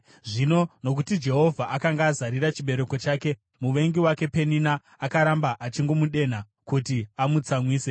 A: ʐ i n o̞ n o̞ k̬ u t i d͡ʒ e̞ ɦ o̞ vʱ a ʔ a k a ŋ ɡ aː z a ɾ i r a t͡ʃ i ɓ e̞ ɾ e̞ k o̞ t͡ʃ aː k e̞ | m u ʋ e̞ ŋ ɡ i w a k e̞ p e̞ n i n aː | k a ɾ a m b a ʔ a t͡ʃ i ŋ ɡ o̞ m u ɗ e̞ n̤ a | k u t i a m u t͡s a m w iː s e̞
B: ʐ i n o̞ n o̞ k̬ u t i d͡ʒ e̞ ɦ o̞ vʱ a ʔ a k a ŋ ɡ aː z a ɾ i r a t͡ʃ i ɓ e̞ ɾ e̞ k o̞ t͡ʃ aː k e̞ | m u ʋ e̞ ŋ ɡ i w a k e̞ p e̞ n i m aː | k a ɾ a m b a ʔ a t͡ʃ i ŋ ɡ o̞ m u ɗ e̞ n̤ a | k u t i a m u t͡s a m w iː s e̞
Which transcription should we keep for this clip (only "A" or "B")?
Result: A